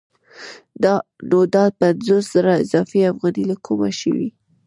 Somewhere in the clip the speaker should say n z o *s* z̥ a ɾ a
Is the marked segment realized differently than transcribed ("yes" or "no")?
no